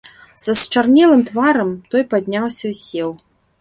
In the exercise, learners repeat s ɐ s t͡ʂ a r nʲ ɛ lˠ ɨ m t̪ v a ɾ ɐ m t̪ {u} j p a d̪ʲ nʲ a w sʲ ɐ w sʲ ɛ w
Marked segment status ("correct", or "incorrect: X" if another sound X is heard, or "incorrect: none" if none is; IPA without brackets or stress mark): incorrect: ɔ